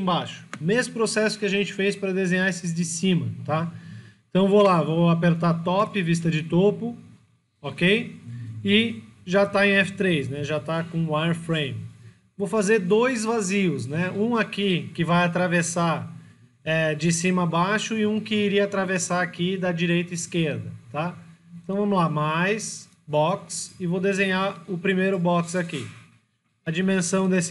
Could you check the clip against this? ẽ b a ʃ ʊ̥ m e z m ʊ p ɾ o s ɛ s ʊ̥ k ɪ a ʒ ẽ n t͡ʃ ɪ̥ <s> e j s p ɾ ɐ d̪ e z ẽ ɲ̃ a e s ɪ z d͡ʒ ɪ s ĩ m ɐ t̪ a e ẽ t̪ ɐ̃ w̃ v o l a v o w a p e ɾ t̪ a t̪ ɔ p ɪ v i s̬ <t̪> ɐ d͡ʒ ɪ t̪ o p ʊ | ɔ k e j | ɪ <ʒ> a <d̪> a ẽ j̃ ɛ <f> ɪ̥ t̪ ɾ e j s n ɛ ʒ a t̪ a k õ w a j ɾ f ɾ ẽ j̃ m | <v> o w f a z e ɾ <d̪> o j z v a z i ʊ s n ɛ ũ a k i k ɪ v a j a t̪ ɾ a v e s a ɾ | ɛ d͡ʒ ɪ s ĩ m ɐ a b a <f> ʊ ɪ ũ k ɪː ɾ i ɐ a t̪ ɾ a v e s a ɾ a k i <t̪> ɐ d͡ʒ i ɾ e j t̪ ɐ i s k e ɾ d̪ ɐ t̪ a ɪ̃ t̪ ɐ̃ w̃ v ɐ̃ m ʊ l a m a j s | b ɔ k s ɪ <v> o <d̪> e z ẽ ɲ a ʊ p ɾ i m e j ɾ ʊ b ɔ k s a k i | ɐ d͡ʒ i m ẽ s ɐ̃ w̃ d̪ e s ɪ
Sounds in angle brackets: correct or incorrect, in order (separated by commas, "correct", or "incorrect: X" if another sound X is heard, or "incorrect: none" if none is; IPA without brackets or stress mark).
incorrect: f, correct, correct, incorrect: t̪, correct, correct, correct, incorrect: ʃ, incorrect: d̪, correct, correct